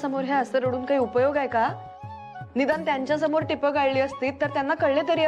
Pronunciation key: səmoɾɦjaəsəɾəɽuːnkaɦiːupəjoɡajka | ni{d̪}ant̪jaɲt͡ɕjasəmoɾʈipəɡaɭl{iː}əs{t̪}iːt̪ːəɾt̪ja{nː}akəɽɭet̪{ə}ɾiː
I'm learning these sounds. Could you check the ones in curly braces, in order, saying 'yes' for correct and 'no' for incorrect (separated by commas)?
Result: yes, yes, yes, yes, yes